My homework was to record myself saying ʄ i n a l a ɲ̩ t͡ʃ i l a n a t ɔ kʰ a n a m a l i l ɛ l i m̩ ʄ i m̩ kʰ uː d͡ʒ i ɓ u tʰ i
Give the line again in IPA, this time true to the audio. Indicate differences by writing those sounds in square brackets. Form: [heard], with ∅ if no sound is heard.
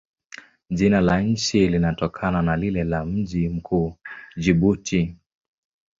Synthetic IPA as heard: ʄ i n a l a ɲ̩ t͡ʃ i l [i] n a t ɔ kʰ a n a [n] a l i l ɛ l [a] m̩ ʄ i m̩ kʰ uː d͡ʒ i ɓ u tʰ i

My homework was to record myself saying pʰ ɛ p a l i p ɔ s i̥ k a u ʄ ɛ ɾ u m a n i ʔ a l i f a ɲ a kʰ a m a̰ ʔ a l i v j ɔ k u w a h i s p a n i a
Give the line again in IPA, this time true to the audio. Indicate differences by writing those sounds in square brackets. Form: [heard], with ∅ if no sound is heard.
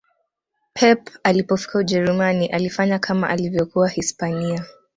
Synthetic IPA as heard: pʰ ɛ p a l i p ɔ [f] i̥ k a u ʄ ɛ ɾ u m a n i ʔ a l i f a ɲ a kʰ a m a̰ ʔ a l i v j ɔ k u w a h i s p a n i a

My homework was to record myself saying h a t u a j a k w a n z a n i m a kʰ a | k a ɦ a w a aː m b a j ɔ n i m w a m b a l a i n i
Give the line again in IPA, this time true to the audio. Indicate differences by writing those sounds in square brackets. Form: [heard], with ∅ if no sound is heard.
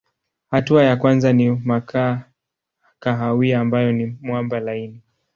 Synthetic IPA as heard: h a t u a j a k w a n z a n i m a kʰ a | k a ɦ a w [i] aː m b a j ɔ n i m w a m b a l a i n i

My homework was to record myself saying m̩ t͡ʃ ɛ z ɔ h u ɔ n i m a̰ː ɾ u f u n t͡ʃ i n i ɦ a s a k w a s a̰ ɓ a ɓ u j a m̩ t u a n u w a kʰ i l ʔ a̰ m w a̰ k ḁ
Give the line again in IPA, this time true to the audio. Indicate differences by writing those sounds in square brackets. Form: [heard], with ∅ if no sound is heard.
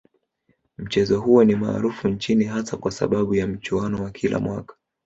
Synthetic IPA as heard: m̩ t͡ʃ ɛ z ɔ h u ɔ n i m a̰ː ɾ u f u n t͡ʃ i n i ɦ a s a k w a s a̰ ɓ a ɓ u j a m̩ [t͡ʃ] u a n [ɔ] w a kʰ i l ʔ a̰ m w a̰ k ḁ

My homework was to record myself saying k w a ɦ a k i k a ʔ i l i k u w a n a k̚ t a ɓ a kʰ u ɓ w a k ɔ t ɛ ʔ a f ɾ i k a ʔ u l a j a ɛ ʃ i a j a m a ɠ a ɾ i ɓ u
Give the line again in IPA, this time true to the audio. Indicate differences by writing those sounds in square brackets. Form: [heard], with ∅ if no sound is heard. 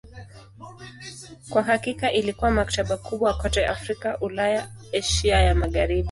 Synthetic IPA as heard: k w a ɦ a k i k a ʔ i l i k u w a [m] a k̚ t a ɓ a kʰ u ɓ w a k ɔ t ɛ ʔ a f ɾ i k a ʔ u l a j a ɛ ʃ i a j a m a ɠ a ɾ i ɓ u

